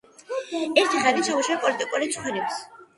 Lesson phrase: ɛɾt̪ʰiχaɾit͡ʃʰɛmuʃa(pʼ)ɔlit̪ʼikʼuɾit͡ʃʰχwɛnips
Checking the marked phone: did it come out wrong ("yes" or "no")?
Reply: no